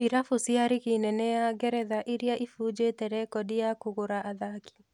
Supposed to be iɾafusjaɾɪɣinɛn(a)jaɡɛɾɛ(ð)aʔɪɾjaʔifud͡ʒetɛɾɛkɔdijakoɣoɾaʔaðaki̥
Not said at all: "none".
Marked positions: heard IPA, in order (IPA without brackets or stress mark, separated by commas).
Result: ɛ, ð